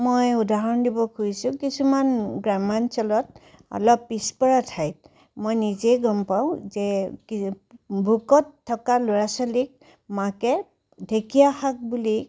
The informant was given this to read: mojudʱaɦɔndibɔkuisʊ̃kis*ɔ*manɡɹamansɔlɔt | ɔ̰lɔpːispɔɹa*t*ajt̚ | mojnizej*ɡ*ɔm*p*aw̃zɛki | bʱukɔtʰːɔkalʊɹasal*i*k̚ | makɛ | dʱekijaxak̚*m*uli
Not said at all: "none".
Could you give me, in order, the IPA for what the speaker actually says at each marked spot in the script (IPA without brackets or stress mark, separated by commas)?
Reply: u, tʰ, ɡ, p, i, b